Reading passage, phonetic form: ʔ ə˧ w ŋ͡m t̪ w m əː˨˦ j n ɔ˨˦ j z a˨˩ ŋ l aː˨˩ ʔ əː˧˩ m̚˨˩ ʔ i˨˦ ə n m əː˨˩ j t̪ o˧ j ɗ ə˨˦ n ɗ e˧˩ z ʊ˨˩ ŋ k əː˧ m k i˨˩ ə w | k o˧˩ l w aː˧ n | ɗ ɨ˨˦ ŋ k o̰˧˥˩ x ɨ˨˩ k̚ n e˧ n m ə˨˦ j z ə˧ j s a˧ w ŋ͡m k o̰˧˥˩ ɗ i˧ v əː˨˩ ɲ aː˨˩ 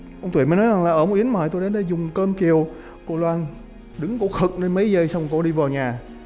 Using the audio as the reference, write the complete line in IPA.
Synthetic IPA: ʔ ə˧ w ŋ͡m t̪ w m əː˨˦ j n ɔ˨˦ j z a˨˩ ŋ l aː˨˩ ʔ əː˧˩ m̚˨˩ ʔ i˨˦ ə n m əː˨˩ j t̪ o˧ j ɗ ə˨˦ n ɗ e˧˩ z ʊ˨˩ ŋ͡m k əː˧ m k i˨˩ ə w | k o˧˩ l w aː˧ n | ɗ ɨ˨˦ ŋ k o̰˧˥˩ x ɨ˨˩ k̚ n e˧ n m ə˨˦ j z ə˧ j s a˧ w ŋ͡m k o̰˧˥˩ ɗ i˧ v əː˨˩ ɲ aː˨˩